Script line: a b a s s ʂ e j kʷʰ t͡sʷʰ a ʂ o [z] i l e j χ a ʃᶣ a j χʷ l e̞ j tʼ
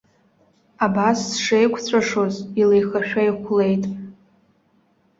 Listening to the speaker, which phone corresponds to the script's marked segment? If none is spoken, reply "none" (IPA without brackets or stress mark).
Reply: z